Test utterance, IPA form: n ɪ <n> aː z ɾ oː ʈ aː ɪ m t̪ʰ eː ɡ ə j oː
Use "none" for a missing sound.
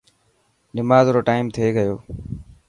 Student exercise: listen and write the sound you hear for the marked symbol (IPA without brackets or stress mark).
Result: m